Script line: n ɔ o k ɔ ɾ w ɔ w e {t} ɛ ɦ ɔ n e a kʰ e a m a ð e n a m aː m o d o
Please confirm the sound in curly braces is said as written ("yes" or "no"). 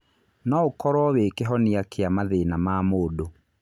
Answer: no